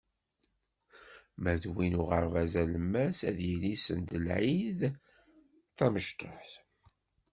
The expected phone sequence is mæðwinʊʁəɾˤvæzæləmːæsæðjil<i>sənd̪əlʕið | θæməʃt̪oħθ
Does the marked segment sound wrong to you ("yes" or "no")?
no